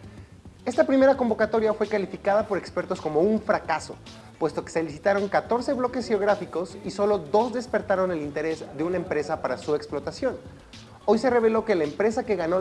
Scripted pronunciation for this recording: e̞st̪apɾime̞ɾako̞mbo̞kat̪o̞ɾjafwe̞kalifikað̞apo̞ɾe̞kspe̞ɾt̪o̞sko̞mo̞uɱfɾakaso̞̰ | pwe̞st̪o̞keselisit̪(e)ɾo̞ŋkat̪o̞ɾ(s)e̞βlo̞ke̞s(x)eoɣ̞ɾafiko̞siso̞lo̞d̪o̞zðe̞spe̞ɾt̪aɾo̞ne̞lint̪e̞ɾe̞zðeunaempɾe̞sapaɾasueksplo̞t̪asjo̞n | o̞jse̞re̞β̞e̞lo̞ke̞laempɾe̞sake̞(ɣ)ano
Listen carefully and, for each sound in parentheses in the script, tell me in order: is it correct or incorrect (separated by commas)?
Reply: incorrect, correct, correct, correct